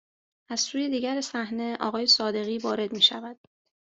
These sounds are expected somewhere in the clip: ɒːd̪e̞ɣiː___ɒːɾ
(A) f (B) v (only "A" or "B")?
B